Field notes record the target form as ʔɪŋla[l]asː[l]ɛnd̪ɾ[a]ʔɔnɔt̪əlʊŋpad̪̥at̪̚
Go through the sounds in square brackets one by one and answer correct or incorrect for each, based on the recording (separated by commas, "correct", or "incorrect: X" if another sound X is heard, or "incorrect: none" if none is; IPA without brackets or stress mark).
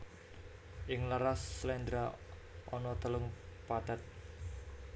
incorrect: ɾ, correct, correct